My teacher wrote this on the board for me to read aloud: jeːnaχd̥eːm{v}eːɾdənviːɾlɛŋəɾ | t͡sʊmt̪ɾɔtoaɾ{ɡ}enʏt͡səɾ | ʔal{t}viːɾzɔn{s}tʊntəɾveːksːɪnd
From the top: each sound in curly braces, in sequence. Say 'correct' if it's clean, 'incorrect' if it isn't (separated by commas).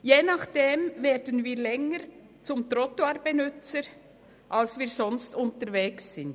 correct, incorrect, incorrect, correct